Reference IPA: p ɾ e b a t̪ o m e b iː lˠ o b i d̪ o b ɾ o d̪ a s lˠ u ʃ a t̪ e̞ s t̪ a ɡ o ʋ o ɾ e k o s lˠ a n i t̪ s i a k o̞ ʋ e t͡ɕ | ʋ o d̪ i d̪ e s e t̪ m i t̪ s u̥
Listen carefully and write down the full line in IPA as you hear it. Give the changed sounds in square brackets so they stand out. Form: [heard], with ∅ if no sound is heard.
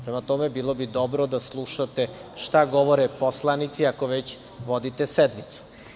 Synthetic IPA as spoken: p ɾ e [m] a t̪ o m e b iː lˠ o b i d̪ o b ɾ o d̪ a s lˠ u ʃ a t̪ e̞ [ʃ] t̪ a ɡ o ʋ o ɾ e [p] o s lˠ a n i t̪ s i a k o̞ ʋ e t͡ɕ | ʋ o d̪ i [t̪] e s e [d̪] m i t̪ s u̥